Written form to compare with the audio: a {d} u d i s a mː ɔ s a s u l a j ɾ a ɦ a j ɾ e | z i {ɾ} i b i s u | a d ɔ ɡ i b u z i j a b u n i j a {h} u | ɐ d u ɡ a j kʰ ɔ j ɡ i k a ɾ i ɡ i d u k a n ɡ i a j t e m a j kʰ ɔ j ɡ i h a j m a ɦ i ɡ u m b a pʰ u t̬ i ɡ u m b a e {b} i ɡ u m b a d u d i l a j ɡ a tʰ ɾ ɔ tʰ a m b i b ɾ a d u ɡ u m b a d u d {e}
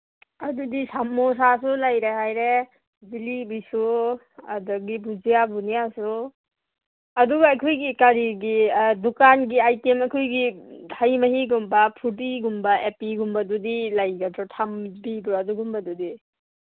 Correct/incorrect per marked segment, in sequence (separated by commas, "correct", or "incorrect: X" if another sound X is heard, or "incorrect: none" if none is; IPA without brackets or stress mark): correct, incorrect: l, incorrect: s, incorrect: p, incorrect: i